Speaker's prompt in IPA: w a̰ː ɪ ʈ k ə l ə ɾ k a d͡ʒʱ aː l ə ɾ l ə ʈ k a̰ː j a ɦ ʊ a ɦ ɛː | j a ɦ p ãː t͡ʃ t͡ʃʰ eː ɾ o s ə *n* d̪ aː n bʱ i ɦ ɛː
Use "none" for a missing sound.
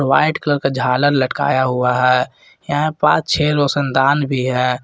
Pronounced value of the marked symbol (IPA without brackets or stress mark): n